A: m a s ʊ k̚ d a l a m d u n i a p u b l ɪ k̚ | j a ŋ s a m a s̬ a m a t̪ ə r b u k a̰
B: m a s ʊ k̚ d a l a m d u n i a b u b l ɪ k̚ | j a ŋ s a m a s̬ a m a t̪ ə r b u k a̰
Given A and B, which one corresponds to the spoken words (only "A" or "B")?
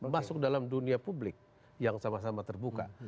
A